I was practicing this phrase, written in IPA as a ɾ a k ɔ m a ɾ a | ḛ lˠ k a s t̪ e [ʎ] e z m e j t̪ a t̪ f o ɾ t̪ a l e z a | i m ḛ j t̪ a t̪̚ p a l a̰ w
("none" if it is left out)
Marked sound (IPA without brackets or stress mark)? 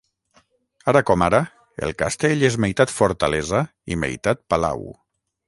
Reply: ʎ